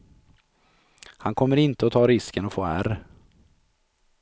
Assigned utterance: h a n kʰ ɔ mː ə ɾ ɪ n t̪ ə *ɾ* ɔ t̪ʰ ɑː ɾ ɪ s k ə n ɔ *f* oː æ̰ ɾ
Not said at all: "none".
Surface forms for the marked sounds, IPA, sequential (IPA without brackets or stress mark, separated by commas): none, f